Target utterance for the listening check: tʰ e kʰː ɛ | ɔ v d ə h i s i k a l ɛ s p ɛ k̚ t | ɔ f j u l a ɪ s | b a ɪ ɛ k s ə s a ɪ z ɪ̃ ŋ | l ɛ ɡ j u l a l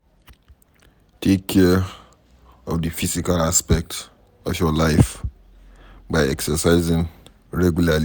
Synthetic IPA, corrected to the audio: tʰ e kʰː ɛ | ɔ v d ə f i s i k a l a s p ɛ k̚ t | ɔ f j ɔ l a ɪ f | b a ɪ ɛ k s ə s a ɪ z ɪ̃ ŋ | ɹ ɛ ɡ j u l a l